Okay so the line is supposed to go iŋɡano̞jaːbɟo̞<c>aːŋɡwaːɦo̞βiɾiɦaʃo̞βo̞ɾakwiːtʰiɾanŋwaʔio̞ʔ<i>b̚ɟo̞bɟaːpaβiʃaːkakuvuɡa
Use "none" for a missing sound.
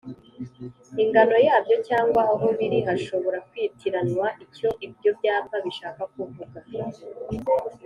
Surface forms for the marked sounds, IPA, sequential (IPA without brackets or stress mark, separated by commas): c, i